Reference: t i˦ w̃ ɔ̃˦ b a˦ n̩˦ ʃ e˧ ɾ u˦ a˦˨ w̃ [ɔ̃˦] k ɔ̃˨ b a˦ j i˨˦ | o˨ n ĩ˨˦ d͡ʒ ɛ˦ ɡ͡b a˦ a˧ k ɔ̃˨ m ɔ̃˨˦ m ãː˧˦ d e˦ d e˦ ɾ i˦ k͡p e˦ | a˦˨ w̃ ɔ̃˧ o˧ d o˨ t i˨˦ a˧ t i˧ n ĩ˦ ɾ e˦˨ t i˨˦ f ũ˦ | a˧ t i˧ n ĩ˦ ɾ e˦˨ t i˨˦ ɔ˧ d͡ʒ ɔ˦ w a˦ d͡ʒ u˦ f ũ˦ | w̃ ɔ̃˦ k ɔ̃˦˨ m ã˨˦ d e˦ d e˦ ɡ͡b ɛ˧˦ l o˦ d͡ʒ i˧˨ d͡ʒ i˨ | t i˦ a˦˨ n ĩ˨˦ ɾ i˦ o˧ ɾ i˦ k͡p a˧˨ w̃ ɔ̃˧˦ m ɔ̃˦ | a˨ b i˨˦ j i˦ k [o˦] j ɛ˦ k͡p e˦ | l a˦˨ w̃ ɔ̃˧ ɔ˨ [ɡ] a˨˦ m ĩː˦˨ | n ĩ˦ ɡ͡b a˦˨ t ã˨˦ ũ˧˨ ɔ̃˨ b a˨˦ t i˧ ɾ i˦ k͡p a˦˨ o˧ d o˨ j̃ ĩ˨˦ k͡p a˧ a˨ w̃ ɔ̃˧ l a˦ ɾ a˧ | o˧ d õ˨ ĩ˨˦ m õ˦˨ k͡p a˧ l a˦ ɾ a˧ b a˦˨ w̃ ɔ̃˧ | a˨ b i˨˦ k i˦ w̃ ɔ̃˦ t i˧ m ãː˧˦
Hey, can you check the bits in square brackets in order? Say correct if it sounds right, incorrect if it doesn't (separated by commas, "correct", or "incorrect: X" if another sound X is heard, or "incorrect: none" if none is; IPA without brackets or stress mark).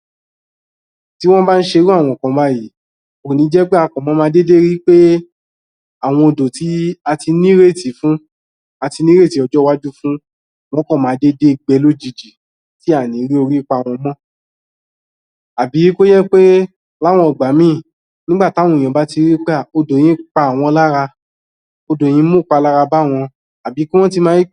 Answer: incorrect: ɔ̃˧˨, correct, incorrect: ɡ͡b